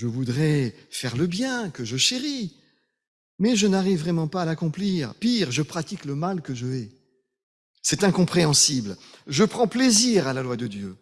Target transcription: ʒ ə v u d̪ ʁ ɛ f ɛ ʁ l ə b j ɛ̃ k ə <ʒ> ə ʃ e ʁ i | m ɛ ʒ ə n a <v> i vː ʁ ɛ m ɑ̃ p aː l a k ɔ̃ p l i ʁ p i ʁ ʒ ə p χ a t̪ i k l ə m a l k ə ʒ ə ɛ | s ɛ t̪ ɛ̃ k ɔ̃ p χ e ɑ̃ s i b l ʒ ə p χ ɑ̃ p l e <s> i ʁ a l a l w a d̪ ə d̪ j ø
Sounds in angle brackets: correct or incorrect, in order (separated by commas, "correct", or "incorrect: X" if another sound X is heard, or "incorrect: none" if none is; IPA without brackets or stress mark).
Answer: correct, incorrect: ʁ, incorrect: z